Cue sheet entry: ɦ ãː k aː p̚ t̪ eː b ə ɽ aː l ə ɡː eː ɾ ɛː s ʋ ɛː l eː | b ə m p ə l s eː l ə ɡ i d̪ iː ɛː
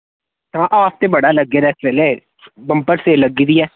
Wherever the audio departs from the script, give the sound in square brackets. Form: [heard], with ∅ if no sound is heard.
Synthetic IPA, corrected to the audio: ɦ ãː [ʔ] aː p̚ t̪ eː b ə ɽ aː l ə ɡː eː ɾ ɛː s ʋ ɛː l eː | b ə m p ə [ɾ] s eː l ə ɡ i d̪ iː ɛː